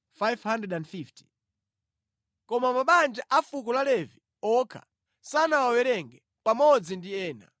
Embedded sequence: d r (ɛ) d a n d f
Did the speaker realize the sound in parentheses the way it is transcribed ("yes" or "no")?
yes